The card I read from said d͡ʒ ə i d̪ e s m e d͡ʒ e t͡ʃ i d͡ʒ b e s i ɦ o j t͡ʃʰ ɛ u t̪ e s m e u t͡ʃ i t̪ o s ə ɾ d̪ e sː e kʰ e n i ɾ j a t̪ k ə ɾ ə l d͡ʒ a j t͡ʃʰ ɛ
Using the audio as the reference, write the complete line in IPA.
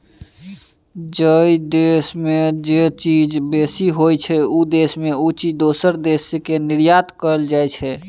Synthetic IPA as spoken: d͡ʒ ə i d̪ e s m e d͡ʒ e t͡ʃ i d͡ʒ b e s i ɦ o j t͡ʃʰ ɛ u d̪ e s m e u t͡ʃ i d̪ o s ə ɾ d̪ e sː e k e n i ɾ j a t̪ k ə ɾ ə l d͡ʒ a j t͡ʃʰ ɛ